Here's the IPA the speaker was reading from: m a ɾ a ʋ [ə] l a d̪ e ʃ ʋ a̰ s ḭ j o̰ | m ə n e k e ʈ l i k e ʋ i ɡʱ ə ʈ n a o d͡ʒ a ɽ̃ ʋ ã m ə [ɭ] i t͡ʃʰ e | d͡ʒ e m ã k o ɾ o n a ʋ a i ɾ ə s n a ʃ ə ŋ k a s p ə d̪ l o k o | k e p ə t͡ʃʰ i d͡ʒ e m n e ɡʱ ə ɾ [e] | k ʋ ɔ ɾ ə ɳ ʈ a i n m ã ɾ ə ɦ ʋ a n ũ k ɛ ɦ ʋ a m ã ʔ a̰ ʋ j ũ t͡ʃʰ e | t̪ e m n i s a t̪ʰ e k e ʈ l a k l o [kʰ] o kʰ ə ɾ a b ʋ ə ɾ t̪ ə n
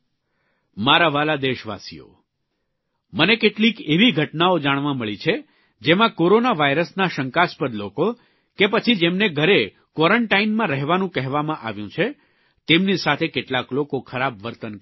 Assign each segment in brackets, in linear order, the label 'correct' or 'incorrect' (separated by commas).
incorrect, correct, correct, incorrect